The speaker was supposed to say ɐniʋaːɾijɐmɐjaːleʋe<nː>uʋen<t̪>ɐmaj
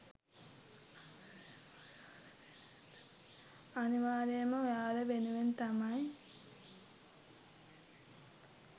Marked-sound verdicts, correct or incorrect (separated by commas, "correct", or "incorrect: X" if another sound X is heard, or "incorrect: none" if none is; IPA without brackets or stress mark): incorrect: n, correct